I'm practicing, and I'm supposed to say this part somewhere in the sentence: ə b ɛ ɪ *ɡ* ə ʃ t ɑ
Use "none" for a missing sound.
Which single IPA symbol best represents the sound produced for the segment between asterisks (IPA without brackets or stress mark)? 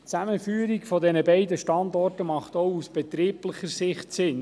d